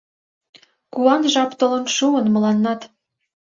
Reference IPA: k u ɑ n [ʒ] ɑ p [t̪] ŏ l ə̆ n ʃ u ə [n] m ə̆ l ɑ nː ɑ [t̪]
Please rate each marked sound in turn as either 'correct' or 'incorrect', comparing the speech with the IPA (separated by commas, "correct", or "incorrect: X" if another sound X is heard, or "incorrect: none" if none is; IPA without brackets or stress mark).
correct, correct, correct, correct